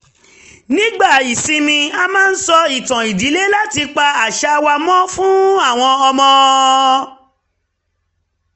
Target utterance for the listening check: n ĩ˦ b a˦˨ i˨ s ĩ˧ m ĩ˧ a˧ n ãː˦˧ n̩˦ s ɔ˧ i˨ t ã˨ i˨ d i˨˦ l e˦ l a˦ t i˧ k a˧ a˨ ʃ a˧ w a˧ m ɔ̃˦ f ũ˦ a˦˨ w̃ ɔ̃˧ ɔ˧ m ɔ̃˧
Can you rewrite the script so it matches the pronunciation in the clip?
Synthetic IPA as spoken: n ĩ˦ ɡ͡b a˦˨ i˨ s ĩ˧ m ĩ˧ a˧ m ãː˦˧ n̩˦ s ɔ˧ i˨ t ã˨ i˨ d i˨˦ l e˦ l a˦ t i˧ k͡p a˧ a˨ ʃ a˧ w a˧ m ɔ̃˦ f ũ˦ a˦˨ w̃ ɔ̃˧ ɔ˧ m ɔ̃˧